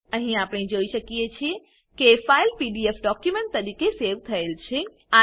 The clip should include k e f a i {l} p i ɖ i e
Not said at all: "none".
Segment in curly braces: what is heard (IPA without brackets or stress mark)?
l